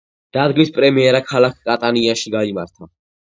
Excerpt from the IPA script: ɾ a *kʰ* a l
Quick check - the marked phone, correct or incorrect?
correct